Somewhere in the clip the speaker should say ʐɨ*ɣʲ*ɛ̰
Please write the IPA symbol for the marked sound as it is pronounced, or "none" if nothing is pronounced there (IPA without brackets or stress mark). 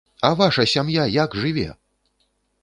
vʲ